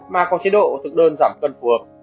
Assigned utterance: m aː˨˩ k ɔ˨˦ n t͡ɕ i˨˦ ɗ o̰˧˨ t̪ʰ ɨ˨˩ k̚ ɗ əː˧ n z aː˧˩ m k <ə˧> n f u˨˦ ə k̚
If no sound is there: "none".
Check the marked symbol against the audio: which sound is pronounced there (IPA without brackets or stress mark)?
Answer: ə˧